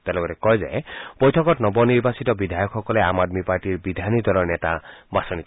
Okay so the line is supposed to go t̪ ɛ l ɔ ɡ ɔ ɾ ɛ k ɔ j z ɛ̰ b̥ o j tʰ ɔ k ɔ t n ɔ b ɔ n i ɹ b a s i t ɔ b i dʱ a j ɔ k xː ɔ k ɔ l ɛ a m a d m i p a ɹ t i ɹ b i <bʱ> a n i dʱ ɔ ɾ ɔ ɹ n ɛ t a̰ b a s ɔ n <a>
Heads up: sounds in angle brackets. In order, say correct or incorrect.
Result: incorrect: dʱ, incorrect: i

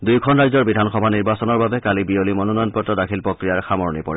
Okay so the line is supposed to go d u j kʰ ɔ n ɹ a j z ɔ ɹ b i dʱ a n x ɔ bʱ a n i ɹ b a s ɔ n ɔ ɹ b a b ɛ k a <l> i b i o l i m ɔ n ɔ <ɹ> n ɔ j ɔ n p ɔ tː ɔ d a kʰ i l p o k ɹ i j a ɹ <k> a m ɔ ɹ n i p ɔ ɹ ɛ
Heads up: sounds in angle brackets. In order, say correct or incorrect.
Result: correct, incorrect: none, incorrect: x

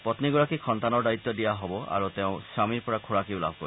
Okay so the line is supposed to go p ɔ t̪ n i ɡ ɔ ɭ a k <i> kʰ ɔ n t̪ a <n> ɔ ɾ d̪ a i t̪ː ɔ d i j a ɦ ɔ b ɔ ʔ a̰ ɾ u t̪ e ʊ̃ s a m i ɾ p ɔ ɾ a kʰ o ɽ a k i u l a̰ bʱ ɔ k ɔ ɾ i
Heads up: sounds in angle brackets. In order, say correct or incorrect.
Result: correct, correct

